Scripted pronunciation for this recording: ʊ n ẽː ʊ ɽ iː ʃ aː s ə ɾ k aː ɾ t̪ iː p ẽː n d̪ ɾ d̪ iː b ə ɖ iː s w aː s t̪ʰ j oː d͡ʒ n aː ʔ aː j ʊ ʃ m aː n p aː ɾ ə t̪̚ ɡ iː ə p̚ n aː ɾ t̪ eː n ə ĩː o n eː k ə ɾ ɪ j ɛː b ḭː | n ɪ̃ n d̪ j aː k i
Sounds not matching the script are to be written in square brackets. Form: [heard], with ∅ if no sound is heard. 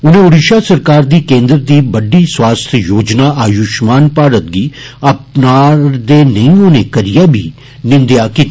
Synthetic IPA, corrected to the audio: ʊ n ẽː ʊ ɽ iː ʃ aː s ə ɾ k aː ɾ [d̪] iː [k] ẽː n d̪ ɾ d̪ iː b ə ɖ iː s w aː s t̪ʰ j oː d͡ʒ n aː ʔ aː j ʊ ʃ m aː n p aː ɾ ə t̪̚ ɡ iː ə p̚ n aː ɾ [d̪] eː n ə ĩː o n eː k ə ɾ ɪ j [aː] b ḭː | n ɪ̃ n d̪ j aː k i